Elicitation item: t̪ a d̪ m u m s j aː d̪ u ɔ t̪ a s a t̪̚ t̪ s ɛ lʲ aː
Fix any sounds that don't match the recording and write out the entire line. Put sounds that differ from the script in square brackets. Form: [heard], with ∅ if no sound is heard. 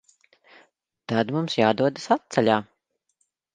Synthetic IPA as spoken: t̪ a d̪ m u m s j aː d̪ u ɔ [d̪] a s a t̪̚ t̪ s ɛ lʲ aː